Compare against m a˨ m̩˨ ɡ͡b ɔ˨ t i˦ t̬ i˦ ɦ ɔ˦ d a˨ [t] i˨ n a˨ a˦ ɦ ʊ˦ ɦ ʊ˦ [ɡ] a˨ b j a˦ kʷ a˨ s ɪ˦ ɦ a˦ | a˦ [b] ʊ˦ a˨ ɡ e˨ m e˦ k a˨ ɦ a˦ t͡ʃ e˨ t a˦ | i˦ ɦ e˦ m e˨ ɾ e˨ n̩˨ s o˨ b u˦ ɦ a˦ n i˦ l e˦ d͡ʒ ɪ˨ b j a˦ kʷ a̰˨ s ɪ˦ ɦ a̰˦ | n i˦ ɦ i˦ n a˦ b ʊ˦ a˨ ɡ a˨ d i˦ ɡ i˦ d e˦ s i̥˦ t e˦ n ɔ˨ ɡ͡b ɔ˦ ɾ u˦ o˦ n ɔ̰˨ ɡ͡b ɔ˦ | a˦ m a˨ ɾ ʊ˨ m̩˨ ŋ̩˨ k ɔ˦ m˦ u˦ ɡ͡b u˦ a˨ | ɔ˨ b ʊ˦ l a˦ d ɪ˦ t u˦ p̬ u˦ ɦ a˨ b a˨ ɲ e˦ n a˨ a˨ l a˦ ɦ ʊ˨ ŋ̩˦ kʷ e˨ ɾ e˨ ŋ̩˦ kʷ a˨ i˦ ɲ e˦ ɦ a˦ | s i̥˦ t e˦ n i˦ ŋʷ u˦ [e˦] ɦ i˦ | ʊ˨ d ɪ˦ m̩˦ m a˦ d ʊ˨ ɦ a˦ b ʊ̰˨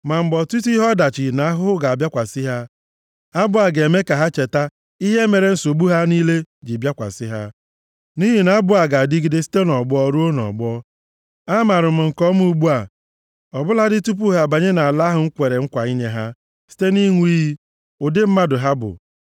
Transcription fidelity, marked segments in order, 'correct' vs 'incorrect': incorrect, correct, correct, incorrect

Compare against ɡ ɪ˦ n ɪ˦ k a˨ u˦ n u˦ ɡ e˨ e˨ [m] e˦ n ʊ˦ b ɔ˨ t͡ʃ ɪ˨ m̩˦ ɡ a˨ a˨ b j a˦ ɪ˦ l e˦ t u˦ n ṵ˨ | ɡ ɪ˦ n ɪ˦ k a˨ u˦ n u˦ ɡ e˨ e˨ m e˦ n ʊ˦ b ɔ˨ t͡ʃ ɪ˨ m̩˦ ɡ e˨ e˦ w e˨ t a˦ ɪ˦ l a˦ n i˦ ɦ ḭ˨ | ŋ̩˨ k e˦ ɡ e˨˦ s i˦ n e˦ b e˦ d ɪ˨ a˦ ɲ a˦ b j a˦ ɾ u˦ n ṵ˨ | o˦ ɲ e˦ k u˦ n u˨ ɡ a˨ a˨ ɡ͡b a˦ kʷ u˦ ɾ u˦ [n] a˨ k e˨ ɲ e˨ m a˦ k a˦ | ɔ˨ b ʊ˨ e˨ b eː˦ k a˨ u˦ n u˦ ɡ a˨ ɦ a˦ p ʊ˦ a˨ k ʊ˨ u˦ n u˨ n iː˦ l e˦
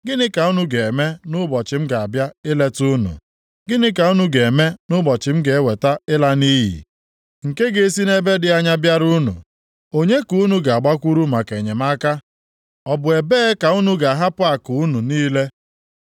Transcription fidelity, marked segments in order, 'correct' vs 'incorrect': correct, incorrect

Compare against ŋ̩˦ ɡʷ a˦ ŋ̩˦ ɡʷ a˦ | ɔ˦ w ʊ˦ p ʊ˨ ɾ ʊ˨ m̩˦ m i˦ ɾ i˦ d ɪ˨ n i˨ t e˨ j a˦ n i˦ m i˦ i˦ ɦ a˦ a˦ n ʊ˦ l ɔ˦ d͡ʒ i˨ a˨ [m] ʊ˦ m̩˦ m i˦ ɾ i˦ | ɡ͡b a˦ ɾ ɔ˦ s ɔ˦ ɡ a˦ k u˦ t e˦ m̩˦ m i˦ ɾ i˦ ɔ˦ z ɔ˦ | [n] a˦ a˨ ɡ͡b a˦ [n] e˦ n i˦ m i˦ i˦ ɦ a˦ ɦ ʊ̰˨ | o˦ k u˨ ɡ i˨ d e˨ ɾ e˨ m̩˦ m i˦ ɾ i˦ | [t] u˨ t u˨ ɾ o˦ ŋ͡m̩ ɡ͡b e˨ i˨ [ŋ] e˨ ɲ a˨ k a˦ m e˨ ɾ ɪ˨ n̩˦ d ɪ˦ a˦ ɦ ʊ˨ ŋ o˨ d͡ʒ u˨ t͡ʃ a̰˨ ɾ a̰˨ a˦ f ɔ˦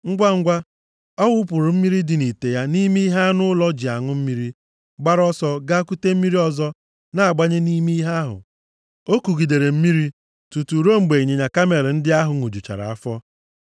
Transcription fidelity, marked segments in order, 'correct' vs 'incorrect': incorrect, correct, incorrect, correct, incorrect

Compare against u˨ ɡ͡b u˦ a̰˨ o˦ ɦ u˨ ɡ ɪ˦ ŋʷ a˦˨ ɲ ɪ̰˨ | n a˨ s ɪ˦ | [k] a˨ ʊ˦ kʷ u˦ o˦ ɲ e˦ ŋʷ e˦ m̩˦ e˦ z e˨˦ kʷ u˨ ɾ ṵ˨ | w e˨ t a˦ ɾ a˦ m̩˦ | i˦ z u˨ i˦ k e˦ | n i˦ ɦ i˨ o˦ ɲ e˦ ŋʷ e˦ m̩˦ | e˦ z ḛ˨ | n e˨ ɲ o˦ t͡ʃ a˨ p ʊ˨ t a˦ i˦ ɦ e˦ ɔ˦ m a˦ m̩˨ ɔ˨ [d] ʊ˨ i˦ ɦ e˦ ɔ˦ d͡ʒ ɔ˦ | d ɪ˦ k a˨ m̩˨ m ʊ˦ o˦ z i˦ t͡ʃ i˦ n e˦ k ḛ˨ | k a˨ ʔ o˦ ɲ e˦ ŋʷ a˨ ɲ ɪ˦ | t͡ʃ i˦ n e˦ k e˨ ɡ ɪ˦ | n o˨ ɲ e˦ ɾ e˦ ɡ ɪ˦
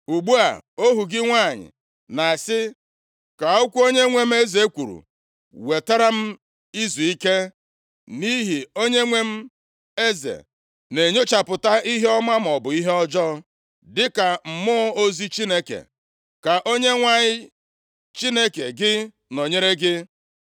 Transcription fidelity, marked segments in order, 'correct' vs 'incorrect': correct, incorrect

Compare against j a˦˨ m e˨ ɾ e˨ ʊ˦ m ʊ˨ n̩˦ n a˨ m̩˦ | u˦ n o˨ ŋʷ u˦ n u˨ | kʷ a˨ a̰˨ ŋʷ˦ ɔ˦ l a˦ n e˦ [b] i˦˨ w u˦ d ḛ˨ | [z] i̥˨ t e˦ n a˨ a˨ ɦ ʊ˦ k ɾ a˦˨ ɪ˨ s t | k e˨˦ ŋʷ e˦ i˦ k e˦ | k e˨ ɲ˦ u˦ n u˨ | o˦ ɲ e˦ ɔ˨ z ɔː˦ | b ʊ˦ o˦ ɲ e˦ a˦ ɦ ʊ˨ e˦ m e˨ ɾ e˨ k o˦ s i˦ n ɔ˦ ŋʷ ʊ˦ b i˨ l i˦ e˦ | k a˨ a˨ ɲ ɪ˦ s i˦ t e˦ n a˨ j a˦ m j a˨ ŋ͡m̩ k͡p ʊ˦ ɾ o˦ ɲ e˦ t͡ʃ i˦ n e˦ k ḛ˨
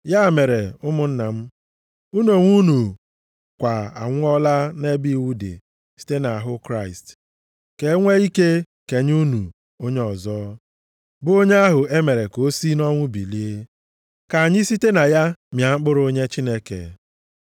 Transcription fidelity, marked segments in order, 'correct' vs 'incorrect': correct, incorrect

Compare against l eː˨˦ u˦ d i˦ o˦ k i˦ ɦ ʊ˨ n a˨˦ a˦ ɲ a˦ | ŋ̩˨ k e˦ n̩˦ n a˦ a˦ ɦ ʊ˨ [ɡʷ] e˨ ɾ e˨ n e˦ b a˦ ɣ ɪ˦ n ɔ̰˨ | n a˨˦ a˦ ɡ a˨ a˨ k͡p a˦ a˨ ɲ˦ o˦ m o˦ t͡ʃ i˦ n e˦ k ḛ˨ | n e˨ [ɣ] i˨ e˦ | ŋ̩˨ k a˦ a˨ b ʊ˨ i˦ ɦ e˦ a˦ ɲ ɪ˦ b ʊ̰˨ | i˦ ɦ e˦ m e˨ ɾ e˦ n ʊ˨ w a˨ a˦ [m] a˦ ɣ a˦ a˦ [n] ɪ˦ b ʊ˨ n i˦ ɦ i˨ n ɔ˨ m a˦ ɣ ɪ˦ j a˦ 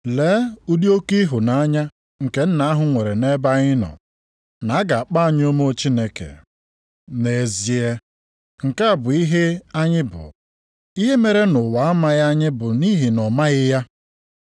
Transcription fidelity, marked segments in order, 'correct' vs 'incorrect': incorrect, incorrect, correct, incorrect

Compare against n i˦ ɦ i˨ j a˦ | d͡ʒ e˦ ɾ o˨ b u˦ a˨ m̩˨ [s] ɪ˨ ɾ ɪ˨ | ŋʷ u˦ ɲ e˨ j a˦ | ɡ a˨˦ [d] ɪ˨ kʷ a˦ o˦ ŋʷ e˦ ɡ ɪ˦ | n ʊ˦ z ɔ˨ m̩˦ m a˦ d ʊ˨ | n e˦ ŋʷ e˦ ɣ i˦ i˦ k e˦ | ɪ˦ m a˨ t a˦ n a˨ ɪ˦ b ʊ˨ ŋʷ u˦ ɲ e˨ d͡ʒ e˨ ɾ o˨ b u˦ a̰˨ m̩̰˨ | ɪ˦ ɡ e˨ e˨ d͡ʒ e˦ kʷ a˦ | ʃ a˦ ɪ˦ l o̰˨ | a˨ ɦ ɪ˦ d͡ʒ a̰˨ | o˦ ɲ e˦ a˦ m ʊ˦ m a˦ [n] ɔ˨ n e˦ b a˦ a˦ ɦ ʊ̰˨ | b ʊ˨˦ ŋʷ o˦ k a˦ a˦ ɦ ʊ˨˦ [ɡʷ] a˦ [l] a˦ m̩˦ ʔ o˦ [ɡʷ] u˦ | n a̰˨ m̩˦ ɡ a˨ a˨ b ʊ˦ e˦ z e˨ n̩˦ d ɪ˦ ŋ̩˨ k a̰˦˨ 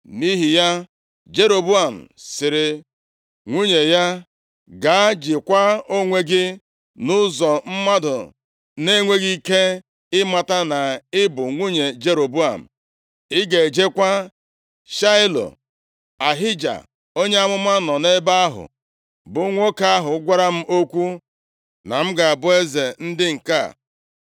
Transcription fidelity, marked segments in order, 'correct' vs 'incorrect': correct, incorrect, correct, correct, incorrect, incorrect

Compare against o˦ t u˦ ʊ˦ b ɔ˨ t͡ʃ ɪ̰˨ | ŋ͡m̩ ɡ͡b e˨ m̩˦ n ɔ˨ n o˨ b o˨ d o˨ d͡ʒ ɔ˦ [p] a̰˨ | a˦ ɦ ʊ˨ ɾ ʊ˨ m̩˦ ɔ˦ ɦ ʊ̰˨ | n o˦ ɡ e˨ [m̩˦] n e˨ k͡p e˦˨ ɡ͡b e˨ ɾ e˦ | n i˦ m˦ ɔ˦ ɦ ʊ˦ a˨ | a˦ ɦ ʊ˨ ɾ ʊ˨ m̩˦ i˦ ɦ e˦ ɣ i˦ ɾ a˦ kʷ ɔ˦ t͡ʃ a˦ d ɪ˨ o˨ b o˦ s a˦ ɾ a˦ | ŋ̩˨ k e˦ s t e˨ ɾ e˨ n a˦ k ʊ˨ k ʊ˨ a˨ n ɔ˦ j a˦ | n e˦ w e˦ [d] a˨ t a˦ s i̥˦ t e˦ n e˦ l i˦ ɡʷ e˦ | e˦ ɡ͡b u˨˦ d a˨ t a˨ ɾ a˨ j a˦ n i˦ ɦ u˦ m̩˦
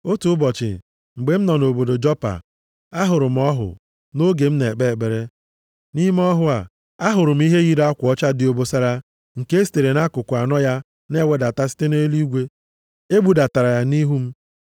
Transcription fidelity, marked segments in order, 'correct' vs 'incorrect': correct, correct, correct

